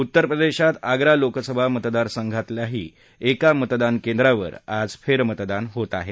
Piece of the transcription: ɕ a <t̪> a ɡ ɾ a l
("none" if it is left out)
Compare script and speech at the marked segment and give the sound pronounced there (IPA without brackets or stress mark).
t̪